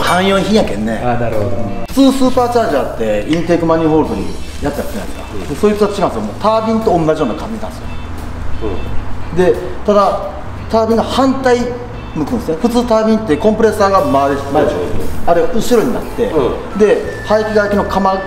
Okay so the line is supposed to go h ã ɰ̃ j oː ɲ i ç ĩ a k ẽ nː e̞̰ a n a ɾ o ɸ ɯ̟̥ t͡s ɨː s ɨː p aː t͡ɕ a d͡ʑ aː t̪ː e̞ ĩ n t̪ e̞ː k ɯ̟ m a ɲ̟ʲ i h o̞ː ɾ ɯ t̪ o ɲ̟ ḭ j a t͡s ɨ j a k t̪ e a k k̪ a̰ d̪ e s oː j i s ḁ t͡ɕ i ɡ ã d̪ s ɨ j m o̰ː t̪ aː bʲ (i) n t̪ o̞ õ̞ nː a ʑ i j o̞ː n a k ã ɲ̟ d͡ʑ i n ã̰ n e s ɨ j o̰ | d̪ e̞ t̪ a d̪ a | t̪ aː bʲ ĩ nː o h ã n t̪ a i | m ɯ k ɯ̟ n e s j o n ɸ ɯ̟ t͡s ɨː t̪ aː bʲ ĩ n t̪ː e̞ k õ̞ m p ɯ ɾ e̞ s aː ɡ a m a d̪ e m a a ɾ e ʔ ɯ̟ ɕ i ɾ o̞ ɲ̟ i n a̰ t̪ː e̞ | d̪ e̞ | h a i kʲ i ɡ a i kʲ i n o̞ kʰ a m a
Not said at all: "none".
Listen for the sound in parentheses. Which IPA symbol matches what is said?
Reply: ĩ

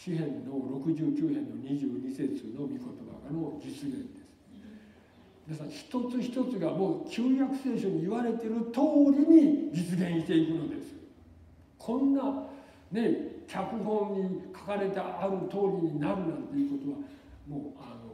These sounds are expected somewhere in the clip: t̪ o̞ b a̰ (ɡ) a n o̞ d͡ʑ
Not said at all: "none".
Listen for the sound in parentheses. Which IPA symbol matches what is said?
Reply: ɡ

